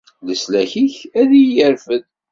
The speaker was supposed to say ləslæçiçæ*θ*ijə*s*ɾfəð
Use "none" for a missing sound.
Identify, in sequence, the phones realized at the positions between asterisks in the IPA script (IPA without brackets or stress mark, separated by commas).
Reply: ð, none